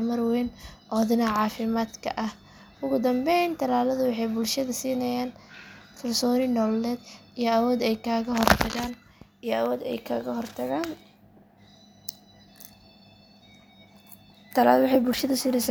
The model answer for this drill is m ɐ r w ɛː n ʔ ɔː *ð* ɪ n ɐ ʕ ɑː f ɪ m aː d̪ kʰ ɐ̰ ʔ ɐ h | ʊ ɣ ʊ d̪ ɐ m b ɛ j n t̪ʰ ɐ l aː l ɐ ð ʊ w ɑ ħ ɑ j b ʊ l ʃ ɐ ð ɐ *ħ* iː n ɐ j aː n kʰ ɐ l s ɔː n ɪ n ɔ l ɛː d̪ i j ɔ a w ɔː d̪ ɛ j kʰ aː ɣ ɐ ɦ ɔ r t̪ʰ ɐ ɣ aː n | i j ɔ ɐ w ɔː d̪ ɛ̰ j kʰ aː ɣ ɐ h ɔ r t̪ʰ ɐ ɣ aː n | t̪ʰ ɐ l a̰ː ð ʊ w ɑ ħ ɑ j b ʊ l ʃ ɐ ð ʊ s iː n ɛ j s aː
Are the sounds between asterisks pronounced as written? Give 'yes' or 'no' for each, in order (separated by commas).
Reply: yes, no